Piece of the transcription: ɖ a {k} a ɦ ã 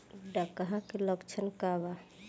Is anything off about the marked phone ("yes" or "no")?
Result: no